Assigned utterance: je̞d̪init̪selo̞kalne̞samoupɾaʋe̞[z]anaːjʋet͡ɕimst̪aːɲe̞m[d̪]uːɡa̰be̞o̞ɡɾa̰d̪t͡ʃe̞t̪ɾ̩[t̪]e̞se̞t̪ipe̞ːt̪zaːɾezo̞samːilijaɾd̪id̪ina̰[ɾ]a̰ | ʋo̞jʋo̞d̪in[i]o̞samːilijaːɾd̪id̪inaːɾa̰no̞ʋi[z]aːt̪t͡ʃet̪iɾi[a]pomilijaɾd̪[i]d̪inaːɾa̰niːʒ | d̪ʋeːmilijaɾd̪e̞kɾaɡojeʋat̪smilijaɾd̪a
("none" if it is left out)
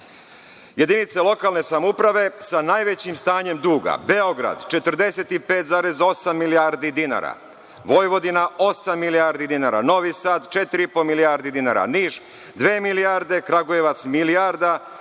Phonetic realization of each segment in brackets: s, d̪, d̪, ɾ, a, s, i, i

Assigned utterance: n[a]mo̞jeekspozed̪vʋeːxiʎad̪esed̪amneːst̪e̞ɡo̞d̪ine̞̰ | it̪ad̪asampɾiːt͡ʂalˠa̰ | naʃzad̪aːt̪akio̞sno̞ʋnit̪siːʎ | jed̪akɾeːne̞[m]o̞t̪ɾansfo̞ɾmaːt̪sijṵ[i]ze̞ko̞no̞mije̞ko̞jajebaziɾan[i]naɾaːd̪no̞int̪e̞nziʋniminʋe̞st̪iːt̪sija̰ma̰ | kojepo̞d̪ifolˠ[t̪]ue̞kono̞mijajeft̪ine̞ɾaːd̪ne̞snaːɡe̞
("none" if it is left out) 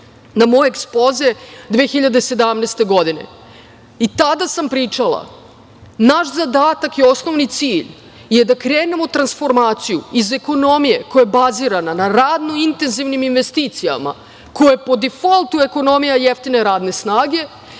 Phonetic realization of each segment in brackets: a, m, i, a, t̪

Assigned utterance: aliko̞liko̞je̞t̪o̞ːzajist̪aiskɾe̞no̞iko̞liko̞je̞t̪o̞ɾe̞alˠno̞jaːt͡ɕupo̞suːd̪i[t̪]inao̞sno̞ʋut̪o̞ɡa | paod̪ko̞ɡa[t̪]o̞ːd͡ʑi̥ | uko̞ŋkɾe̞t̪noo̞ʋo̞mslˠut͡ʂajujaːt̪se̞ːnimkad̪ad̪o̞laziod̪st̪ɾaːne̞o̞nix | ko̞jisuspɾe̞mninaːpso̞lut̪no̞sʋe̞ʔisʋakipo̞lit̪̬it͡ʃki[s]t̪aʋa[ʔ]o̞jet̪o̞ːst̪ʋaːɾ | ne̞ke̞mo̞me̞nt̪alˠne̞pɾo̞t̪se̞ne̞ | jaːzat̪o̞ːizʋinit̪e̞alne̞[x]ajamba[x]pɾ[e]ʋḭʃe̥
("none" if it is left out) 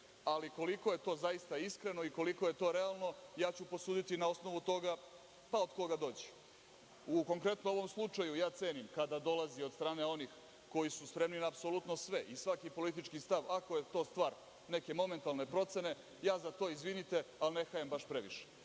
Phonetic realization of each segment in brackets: t̪, d̪, s, k, x, ʃ, e

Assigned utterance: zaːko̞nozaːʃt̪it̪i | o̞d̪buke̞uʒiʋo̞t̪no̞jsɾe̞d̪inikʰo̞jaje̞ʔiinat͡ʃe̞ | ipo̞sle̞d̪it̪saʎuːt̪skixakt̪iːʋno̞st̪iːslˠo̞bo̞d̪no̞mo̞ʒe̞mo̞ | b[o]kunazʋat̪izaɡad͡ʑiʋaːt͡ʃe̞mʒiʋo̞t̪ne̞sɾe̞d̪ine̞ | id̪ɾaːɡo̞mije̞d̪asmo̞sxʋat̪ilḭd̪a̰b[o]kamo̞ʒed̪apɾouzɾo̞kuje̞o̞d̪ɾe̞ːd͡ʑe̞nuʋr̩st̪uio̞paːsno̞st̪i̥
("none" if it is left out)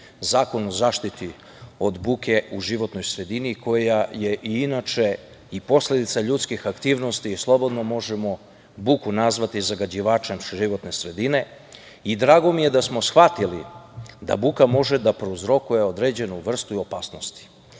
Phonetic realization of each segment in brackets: u, u

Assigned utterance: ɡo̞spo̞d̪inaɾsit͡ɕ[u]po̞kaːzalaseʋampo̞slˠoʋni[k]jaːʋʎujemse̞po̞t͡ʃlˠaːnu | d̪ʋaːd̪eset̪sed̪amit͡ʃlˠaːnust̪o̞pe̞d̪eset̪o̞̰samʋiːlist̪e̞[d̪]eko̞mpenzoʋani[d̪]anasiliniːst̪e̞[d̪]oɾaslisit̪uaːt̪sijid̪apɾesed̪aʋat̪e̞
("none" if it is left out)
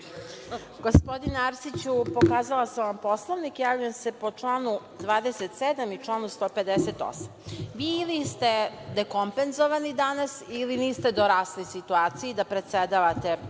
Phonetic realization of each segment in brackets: u, k, d̪, d̪, d̪

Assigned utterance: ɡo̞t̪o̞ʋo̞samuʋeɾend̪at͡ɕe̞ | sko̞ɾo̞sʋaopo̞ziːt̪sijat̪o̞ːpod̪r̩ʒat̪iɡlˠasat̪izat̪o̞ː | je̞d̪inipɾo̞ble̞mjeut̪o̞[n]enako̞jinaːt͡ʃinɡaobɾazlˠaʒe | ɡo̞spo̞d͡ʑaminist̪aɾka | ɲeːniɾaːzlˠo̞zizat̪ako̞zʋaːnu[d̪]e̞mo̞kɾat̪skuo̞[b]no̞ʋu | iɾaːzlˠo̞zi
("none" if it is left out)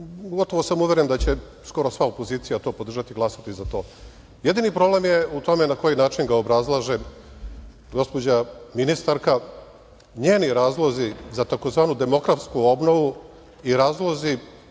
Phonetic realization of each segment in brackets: m, d̪, b

